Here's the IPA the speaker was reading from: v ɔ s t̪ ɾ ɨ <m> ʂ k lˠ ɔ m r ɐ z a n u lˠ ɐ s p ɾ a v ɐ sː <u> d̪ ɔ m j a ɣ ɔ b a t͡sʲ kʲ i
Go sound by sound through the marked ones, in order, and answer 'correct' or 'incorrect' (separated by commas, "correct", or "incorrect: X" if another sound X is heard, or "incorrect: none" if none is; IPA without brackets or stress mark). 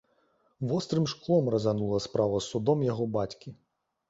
correct, correct